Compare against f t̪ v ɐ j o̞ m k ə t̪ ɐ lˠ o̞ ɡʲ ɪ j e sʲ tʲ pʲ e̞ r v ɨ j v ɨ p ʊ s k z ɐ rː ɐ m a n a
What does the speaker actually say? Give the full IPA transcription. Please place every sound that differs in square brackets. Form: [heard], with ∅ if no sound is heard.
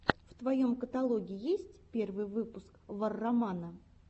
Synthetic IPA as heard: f t̪ v ɐ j o̞ m k ə t̪ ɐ lˠ o̞ ɡʲ ɪ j e sʲ tʲ pʲ e̞ r v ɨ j v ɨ p ʊ s k [v] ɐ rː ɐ m a n [ə]